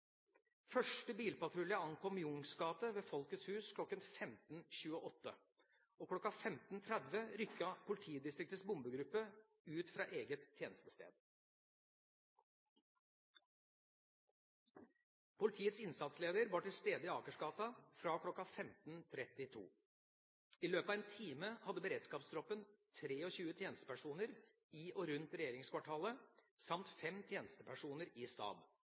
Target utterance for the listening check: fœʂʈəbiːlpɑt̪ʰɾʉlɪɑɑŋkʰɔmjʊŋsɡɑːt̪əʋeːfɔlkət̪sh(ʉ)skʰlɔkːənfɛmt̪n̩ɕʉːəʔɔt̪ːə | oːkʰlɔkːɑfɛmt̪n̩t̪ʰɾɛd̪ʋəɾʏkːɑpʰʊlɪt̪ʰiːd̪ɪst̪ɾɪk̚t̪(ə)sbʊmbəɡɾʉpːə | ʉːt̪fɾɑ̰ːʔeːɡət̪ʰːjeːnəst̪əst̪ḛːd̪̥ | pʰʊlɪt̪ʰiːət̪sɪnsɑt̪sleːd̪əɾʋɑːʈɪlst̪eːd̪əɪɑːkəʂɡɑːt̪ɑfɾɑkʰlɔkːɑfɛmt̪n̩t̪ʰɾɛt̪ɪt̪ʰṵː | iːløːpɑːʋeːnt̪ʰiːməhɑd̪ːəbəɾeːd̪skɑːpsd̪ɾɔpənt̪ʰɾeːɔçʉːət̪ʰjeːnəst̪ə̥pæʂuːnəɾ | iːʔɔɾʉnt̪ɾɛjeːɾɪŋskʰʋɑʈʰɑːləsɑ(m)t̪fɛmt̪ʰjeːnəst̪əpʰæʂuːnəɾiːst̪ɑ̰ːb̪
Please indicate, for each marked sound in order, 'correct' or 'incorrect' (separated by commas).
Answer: incorrect, correct, correct